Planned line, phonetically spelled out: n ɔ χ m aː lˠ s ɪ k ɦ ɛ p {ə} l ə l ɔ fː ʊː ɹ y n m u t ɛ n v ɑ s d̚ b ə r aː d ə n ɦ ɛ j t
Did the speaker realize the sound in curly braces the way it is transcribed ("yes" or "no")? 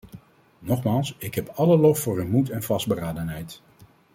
no